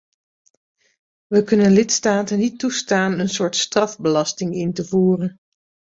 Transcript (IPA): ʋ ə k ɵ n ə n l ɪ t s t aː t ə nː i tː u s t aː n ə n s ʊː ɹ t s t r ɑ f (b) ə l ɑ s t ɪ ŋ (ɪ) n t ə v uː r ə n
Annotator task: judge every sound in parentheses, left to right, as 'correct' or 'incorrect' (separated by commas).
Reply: correct, correct